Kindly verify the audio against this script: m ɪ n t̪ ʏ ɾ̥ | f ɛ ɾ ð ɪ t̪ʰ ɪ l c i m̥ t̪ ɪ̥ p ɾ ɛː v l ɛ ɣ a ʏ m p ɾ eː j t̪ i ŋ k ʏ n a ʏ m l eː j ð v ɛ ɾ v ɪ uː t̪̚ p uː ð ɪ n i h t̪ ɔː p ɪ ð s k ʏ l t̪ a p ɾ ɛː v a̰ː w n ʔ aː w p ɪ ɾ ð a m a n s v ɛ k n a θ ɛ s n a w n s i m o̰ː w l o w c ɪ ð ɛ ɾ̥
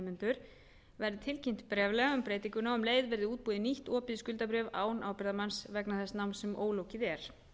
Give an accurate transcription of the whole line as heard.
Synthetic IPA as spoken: m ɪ n t̪ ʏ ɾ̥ | v ɛ ɾ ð ɪ t̪ʰ ɪ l c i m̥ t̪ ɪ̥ p ɾ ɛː v l ɛ ɣ a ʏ m p ɾ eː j t̪ i ŋ k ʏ n a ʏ m l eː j ð v ɛ ɾ ð ɪ uː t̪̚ p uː ð ɪ n i h t̪ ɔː p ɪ ð s k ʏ l t̪ a p ɾ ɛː v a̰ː w n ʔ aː w p ɪ ɾ ð a m a n s v ɛ k n a θ ɛ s n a w n s ɛ m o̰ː w l o w c ɪ ð ɛ ɾ̥